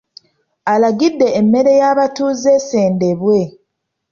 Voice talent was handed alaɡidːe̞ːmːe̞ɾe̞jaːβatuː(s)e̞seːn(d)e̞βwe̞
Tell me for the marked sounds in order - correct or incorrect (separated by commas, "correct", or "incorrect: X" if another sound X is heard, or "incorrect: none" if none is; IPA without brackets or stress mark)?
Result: incorrect: z, correct